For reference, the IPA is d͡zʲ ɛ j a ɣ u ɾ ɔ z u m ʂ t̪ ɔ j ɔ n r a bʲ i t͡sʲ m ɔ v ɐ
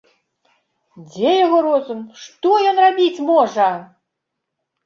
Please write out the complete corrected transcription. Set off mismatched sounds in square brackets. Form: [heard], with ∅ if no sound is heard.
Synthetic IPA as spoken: d͡zʲ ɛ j a ɣ [ɔ] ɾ ɔ z u m ʂ t̪ ɔ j ɔ n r a bʲ i t͡sʲ m ɔ [ʐ] ɐ